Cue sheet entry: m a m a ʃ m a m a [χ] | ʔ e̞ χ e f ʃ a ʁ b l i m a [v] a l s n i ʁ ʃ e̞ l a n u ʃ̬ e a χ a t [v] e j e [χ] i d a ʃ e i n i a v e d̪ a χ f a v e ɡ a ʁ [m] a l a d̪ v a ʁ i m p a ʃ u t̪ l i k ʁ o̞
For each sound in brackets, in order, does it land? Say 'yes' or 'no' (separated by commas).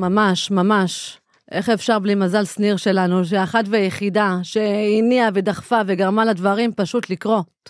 no, no, yes, yes, yes